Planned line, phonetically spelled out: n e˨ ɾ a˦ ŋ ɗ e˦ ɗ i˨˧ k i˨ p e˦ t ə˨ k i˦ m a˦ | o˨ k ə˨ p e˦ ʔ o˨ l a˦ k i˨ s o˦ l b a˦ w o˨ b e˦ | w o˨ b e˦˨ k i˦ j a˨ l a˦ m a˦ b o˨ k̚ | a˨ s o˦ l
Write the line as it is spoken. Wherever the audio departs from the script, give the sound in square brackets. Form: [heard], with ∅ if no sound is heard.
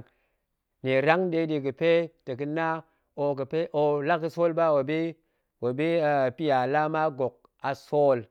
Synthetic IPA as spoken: n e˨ ɾ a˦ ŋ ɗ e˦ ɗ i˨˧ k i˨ p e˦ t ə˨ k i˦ [n] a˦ | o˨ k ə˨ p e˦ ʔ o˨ l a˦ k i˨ s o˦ l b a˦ w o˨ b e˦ | w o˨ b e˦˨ [p] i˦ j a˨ l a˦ m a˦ [ɡ] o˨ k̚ | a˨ s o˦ l